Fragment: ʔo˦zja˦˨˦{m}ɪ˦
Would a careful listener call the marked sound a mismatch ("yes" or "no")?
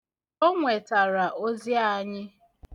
yes